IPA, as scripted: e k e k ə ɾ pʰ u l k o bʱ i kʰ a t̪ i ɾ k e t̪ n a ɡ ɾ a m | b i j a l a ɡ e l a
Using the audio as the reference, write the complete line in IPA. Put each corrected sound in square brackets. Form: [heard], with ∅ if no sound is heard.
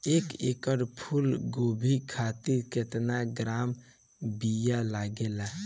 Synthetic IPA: e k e k ə ɾ pʰ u l [ɡ] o bʱ i kʰ a t̪ i ɾ k e t̪ n a ɡ ɾ a m | b i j a l a ɡ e l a